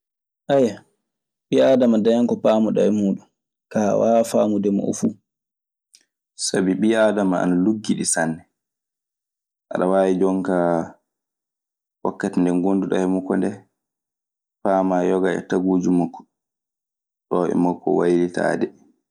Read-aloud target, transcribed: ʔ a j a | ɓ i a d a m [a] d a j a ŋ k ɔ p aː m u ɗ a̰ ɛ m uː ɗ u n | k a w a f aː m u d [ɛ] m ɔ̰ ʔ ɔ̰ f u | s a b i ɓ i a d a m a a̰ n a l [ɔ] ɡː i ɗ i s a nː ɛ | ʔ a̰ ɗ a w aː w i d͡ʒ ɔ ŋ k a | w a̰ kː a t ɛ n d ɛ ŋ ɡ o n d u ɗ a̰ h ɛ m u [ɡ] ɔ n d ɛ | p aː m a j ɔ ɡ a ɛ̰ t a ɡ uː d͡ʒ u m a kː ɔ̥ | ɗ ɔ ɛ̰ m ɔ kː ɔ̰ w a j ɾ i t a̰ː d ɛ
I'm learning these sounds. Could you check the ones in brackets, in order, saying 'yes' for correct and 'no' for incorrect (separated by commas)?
yes, yes, no, no